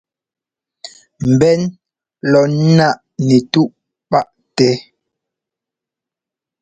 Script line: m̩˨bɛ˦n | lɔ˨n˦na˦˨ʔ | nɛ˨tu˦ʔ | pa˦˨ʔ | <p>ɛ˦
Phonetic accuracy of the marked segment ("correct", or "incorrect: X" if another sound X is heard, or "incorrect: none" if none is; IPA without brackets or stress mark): incorrect: t